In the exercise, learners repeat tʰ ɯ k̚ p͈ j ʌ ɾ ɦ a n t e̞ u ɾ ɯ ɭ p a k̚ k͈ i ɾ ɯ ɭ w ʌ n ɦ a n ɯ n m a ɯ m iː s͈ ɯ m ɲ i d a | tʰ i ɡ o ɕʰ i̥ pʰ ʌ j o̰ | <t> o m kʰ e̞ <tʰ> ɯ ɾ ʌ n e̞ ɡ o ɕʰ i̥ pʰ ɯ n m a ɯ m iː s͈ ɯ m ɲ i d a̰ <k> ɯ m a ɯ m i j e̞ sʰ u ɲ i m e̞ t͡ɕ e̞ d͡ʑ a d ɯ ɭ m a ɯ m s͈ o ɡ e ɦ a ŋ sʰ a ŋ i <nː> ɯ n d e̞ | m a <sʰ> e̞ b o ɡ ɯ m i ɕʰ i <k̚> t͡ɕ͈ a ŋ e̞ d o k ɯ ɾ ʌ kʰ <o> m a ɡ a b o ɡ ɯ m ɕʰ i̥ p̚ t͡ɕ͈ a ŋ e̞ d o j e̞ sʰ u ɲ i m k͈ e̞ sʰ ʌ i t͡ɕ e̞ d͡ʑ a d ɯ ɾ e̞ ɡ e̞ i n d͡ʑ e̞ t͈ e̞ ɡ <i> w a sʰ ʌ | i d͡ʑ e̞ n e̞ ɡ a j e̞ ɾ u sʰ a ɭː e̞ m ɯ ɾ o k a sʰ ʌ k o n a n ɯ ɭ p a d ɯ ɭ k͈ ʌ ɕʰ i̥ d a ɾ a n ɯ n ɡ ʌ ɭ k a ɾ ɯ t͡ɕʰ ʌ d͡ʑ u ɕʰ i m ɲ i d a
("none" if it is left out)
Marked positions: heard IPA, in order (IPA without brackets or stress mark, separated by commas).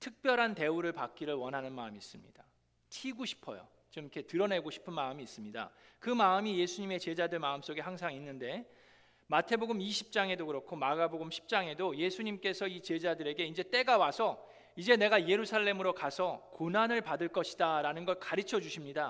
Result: t͡ɕ, t, k, nː, tʰ, p̚, o, a